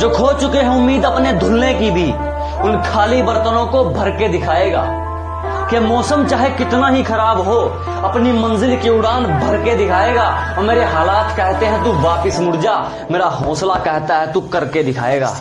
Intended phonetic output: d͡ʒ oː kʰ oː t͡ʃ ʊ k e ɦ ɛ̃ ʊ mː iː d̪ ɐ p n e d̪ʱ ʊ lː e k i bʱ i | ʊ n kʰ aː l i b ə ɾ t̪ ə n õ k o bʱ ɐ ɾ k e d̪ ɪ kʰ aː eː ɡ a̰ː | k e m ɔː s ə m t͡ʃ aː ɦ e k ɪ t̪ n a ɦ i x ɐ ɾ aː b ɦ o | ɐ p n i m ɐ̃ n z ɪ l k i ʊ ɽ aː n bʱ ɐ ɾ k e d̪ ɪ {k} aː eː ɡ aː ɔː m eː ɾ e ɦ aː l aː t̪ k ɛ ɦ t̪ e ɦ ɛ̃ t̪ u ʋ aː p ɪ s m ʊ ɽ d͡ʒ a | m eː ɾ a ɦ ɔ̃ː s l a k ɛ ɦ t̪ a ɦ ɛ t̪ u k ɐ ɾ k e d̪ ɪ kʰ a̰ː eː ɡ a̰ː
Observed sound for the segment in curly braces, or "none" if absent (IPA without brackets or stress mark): kʰ